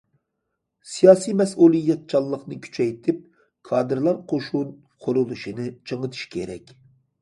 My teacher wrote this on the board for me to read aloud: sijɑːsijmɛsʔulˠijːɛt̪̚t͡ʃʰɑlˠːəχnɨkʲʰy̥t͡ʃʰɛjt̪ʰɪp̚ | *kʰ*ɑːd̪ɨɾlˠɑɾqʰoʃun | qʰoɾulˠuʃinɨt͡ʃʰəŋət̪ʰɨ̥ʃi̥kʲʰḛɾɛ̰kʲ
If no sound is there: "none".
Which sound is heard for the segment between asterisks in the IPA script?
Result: kʰ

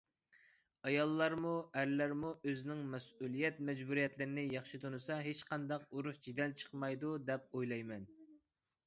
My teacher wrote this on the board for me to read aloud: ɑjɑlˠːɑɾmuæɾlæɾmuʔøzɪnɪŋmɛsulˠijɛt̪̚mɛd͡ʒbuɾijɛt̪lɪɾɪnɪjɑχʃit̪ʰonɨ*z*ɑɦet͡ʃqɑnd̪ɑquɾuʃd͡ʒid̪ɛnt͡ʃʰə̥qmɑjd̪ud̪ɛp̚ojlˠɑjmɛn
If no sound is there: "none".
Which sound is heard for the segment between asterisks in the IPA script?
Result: s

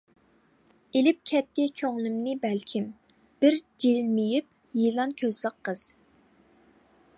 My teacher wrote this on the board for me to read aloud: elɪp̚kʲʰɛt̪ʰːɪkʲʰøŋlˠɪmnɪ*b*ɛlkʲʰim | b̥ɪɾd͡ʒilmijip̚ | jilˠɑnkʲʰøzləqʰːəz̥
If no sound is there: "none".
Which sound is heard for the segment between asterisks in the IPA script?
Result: b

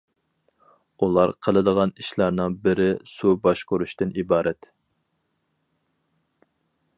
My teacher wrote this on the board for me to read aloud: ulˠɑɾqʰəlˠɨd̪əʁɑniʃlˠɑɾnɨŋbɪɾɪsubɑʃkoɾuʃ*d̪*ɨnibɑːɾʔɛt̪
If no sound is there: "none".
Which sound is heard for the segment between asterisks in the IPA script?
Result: t̪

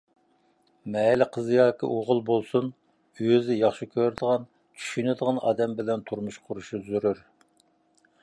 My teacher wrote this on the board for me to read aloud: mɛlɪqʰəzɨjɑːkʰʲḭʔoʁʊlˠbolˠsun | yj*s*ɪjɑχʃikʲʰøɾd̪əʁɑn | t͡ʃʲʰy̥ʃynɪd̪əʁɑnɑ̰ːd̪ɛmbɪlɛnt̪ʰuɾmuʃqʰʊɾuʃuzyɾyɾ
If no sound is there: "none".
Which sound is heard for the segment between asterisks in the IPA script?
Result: z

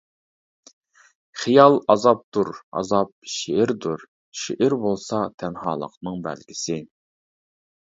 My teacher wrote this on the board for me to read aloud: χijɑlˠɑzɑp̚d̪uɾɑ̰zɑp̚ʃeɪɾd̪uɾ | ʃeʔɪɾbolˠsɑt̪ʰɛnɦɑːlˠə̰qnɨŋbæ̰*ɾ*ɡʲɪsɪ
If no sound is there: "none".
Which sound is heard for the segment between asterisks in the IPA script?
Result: l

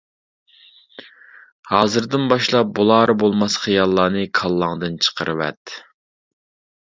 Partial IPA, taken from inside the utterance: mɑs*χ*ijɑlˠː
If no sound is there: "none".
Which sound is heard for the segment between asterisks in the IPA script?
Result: χ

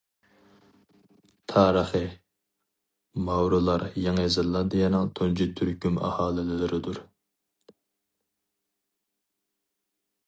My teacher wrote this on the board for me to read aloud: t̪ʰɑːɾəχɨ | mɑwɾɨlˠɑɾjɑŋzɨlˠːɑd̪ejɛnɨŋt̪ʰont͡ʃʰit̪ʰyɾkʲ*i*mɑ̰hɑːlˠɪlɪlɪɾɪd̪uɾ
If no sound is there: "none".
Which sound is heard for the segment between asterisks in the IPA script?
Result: y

